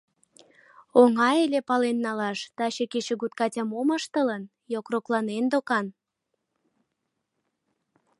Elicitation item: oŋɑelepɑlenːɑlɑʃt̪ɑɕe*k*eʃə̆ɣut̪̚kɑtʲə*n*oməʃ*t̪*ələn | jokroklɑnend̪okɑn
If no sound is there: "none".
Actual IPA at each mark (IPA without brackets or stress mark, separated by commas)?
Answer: k, m, t̪